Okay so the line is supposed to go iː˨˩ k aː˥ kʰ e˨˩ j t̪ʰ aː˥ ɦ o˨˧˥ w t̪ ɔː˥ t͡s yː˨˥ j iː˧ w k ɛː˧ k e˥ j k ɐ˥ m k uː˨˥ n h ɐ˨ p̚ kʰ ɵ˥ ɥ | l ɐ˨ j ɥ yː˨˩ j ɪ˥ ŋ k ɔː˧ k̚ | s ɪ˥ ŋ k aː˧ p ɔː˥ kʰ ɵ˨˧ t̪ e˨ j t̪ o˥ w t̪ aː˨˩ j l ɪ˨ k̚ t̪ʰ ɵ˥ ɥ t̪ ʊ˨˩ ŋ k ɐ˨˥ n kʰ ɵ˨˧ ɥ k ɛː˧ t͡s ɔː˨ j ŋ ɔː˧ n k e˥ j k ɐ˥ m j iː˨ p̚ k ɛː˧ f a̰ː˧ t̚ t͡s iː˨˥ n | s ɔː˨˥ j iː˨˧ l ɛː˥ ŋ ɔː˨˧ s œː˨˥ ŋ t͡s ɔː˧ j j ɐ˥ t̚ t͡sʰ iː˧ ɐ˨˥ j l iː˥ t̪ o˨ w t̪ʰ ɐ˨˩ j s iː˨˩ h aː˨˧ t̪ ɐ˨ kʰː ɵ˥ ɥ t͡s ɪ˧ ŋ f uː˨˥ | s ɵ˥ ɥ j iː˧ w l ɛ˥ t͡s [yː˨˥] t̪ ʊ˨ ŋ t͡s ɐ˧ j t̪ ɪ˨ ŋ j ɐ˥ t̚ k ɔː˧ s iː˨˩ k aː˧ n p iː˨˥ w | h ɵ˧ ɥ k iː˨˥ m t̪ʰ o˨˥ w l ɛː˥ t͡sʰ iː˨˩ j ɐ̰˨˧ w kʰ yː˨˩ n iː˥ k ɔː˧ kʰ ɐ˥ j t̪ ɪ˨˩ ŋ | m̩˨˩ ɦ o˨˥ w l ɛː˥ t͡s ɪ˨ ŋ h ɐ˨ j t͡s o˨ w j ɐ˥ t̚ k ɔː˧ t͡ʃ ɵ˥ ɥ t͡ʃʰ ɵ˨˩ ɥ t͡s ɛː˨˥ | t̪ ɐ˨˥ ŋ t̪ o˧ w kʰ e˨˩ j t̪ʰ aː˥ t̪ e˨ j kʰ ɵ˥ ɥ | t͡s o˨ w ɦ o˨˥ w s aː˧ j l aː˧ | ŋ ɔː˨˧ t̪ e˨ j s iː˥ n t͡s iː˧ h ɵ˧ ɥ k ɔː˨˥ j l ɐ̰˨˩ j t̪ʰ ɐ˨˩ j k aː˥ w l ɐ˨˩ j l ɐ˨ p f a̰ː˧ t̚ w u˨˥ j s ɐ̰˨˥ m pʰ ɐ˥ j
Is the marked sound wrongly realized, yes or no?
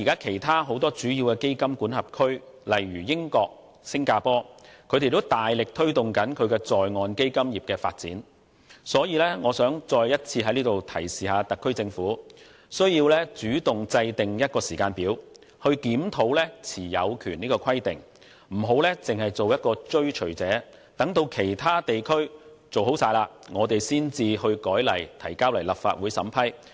no